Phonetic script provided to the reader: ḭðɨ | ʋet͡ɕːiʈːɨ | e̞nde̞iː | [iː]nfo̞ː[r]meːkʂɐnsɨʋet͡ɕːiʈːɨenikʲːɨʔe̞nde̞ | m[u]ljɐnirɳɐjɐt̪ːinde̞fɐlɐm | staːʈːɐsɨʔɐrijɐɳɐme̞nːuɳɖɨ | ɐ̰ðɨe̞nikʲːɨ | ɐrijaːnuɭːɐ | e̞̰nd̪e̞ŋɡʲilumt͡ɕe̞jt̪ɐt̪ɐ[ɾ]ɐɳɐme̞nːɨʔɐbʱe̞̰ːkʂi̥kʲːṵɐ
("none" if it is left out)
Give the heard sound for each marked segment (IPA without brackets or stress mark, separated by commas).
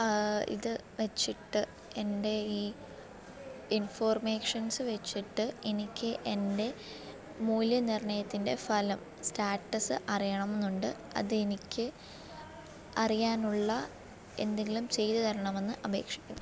i, r, uː, ɾ